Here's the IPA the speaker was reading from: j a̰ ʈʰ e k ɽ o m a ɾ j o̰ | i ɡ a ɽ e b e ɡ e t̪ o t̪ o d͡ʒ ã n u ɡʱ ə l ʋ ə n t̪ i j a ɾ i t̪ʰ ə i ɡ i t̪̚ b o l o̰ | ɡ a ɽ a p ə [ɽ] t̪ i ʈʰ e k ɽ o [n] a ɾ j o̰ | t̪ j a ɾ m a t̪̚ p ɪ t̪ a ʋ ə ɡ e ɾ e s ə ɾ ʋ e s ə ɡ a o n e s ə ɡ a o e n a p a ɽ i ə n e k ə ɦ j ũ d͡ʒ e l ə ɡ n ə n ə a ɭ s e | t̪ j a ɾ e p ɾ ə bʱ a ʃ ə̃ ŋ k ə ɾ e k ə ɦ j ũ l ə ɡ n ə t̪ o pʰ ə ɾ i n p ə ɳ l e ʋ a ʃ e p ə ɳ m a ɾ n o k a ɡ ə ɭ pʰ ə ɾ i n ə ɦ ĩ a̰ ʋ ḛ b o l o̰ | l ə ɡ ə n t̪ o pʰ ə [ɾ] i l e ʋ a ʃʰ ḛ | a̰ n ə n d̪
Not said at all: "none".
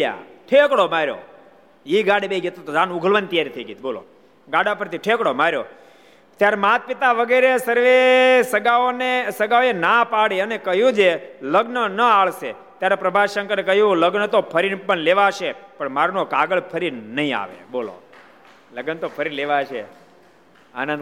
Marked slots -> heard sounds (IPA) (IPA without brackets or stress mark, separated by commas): ɾ, m, ɾ